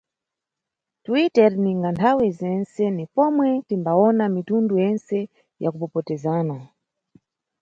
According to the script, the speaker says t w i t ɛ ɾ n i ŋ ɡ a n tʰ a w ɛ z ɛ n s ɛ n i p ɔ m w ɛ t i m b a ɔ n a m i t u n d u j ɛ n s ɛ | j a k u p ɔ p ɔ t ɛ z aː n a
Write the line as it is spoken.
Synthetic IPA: t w i t ɛ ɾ n i ŋ ɡ a n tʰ a w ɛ z ɛ n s ɛ n i p ɔ m w ɛ t i m b a ɔ n a m i t u n d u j ɛ n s ɛ | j a k u p ɔ p ɔ t ɛ z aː n a

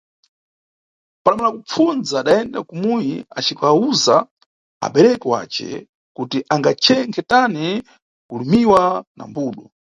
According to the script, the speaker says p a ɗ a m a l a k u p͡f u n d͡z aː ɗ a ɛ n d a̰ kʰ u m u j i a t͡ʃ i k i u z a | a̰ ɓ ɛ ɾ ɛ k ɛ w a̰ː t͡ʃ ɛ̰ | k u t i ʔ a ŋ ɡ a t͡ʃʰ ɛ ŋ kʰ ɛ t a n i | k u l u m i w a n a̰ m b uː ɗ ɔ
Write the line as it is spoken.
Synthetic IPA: p a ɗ a m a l a k u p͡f u n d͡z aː ɗ a ɛ n d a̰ k u m u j i a t͡ʃ i k a u z a | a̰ ɓ ɛ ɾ ɛ k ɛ w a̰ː t͡ʃ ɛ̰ | k u t i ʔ a ŋ ɡ a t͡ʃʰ ɛ ŋ kʰ ɛ t a n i | k u l u m i w a n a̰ m b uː ɗ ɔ

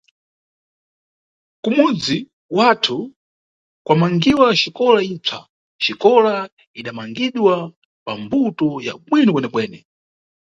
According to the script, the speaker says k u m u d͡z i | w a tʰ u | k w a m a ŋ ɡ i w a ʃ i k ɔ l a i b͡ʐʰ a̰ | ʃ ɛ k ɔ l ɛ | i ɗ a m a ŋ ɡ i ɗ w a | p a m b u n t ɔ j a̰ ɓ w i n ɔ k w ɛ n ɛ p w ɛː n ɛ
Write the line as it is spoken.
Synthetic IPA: k u m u d͡z i | w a tʰ u | k w a m a ŋ ɡ i w a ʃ i k ɔ l a i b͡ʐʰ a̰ | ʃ i k ɔ l a | i ɗ a m a ŋ ɡ i ɗ w a | p a m b u t ɔ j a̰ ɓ w i n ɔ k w ɛ n ɛ p w ɛː n ɛ

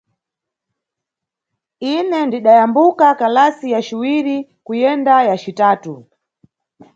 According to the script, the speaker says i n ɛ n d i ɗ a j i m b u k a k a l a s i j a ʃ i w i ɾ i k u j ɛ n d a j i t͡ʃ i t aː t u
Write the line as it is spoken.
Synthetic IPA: i n ɛ n d i ɗ a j a m b u k a k a l a s i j a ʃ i w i ɾ i k u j ɛ n d a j a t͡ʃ i t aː t u

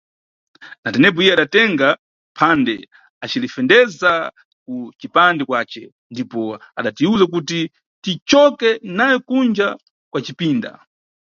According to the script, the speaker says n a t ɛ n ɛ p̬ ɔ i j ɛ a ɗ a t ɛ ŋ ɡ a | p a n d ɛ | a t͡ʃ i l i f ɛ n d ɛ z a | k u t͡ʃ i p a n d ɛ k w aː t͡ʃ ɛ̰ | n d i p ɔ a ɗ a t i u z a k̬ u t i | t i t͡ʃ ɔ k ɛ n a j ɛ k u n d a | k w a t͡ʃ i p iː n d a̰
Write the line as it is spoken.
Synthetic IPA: n a t ɛ n ɛ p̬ ɔ i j ɛ a ɗ a t ɛ ŋ ɡ a | pʰ a n d ɛ | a t͡ʃ i l i f ɛ n d ɛ z a | k u t͡ʃ i p a n d ɛ k w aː t͡ʃ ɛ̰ | n d i p ɔ a ɗ a t i u z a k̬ u t i | t i t͡ʃ ɔ k ɛ n a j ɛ k u n d͡ʒ a | k w a t͡ʃ i p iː n d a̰

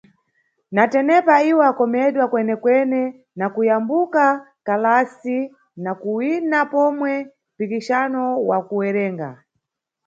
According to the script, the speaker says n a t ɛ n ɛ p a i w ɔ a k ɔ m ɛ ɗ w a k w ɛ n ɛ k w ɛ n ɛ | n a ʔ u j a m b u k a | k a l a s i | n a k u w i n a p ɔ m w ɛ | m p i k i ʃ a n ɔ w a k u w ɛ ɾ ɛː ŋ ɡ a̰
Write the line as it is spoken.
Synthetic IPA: n a t ɛ n ɛ p a i w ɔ a k ɔ m ɛ ɗ w a k w ɛ n ɛ k w ɛ n ɛ | n a k u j a m b u k a | k a l a s i | n a k u w i n a p ɔ m w ɛ | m p i k i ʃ a n ɔ w a k u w ɛ ɾ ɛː ŋ ɡ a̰

